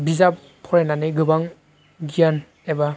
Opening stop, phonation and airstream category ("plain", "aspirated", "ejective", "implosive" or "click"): plain